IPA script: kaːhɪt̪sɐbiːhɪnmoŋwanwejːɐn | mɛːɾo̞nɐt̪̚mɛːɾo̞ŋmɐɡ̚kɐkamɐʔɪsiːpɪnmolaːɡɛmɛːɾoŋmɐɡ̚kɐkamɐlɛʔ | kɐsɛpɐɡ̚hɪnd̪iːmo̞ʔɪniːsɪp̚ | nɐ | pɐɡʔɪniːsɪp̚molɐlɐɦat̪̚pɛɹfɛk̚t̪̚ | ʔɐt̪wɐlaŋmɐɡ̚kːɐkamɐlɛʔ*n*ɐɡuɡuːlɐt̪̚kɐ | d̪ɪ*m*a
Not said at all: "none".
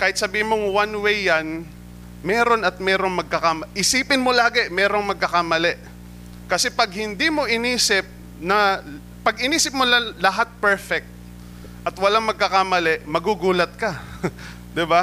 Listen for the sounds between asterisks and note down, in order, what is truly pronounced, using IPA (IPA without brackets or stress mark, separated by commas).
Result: m, b